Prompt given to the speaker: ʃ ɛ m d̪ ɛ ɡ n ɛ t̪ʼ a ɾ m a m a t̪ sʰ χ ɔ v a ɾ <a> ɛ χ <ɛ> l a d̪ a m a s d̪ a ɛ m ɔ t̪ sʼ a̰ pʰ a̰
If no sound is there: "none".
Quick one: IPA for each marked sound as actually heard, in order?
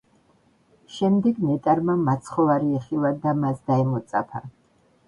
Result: i, i

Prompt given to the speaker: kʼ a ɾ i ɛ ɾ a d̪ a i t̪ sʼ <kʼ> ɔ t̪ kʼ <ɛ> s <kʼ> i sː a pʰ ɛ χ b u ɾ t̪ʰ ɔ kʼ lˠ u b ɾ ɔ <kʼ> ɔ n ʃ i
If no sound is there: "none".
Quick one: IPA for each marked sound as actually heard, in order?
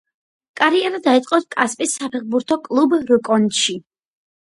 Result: qʼ, a, pʼ, kʼ

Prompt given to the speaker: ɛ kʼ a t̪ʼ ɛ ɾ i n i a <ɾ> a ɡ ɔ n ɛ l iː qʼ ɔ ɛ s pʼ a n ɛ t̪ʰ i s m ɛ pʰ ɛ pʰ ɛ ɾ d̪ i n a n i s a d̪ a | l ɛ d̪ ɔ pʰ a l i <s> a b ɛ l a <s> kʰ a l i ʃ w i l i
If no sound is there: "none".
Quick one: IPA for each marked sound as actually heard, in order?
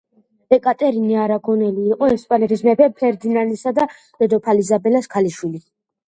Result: ɾ, z, s

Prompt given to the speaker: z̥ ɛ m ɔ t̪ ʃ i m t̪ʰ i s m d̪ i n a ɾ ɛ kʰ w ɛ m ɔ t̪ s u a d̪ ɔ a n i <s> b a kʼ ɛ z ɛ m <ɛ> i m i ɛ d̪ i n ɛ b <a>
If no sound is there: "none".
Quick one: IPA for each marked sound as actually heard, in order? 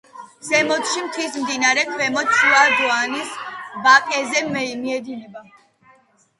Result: s, ɛ, a

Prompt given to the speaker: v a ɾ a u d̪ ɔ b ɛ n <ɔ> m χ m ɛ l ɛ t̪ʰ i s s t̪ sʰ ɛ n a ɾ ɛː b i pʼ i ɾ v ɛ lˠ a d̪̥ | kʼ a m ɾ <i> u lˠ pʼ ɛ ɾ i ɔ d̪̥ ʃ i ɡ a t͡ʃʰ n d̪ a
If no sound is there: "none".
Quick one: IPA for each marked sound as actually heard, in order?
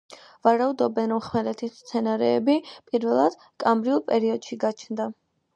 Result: ɔ, i

